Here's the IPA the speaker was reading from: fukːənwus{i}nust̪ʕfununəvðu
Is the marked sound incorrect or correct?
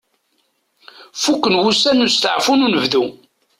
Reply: incorrect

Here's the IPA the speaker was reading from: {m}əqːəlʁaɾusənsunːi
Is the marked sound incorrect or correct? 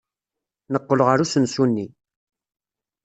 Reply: incorrect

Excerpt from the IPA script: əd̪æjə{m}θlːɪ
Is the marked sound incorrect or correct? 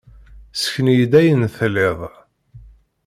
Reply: incorrect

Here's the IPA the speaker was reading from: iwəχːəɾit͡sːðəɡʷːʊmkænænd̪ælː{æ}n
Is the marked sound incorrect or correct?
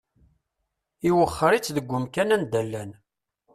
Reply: correct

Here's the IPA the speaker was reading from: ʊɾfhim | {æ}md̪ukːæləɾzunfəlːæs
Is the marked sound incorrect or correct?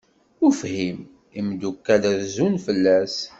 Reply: incorrect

